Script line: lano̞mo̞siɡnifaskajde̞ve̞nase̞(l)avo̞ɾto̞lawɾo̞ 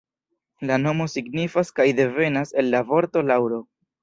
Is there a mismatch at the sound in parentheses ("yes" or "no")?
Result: yes